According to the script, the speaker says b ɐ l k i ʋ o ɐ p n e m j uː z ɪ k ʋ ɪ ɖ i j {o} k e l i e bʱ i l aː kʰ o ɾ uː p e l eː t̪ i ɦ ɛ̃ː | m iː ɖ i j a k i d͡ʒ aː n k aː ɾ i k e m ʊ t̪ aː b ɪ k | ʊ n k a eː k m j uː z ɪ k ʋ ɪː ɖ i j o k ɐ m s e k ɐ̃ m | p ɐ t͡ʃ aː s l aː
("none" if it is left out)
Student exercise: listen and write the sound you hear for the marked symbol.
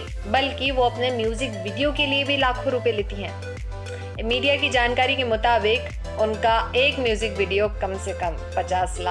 o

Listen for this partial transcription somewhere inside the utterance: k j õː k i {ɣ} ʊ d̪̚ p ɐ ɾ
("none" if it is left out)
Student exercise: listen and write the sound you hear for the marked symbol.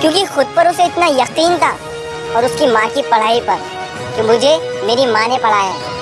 x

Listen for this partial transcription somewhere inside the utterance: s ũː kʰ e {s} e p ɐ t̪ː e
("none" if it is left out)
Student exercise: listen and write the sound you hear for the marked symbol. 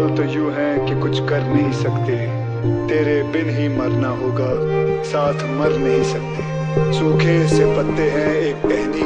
s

